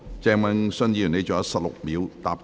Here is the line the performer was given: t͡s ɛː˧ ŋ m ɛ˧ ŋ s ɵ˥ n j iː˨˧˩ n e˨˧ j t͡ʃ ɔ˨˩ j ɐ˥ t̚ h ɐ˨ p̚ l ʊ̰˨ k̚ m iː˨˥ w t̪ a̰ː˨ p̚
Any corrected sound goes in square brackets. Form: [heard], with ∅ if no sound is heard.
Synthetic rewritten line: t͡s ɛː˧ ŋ m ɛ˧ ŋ s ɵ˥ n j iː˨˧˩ n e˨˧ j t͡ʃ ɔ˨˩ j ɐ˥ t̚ [s] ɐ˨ p̚ l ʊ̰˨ k̚ m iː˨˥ w t̪ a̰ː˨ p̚